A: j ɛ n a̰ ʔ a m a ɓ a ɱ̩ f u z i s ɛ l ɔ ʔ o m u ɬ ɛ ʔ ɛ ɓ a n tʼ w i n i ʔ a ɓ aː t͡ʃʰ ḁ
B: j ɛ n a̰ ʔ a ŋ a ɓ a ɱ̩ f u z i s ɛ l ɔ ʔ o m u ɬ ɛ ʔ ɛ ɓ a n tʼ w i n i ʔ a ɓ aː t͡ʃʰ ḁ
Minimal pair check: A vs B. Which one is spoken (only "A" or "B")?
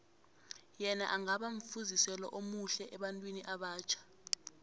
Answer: B